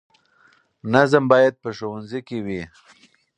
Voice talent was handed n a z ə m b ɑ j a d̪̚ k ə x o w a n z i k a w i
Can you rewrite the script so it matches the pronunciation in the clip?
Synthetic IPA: n a z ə m b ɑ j a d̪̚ p ə ʃ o w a n z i k e w i